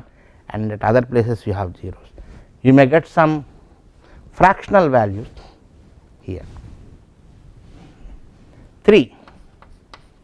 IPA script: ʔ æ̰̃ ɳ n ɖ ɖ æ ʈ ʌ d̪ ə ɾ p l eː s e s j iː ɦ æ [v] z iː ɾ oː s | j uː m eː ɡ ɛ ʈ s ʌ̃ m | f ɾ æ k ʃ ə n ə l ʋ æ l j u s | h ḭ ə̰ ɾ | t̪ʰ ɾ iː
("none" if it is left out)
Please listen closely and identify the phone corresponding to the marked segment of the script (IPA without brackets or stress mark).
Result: ʋ